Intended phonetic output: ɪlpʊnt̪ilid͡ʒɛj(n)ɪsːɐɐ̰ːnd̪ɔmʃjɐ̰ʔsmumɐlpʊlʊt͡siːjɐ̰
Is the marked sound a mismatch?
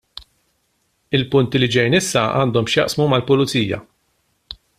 no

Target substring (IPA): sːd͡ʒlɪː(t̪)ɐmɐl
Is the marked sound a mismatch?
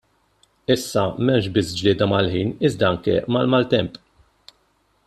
yes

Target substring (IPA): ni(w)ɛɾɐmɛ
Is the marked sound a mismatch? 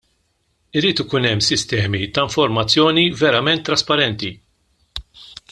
yes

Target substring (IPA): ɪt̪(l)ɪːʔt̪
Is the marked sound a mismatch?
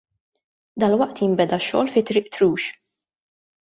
yes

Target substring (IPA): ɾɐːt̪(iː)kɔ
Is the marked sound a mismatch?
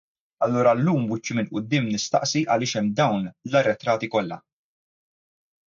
yes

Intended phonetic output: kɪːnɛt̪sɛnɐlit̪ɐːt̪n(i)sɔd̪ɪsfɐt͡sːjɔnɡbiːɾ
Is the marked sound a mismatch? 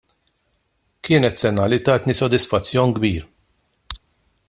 no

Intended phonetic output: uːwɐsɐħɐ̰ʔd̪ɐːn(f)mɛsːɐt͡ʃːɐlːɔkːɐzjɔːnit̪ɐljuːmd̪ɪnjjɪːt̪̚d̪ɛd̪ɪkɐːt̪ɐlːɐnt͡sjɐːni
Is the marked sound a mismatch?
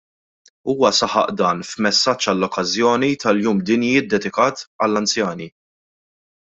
no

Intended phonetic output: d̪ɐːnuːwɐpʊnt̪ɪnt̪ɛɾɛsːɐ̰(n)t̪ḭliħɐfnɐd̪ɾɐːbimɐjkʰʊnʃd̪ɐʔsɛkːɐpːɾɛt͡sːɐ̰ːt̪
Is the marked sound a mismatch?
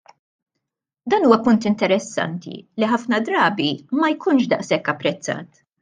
no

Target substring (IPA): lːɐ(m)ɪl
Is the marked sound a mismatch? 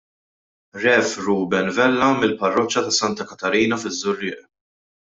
no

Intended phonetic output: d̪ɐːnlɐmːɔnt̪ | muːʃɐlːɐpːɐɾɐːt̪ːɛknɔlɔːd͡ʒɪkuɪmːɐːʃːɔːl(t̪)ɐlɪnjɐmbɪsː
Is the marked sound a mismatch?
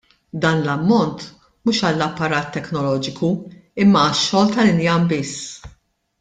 no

